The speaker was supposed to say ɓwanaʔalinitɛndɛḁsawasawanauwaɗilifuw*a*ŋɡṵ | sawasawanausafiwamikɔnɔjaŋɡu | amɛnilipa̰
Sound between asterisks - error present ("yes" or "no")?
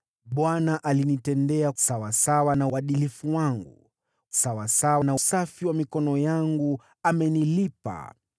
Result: no